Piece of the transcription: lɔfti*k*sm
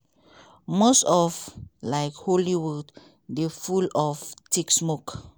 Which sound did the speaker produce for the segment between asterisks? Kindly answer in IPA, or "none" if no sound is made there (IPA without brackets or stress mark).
k